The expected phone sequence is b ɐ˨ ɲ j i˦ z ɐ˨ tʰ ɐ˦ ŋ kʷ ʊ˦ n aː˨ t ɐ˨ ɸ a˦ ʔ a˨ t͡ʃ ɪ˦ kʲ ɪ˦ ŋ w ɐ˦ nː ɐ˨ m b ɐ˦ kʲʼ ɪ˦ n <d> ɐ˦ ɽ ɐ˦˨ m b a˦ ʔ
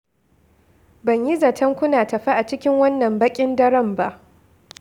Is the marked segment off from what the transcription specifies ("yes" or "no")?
no